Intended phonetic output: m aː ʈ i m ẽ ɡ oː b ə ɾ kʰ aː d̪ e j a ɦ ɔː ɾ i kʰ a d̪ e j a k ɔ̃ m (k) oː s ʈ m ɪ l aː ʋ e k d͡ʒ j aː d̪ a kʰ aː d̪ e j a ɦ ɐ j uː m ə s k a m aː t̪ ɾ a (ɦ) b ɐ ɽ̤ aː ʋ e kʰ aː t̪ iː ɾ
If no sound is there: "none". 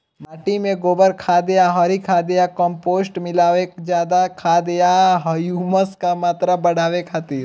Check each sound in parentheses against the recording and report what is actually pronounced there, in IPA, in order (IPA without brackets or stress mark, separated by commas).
p, none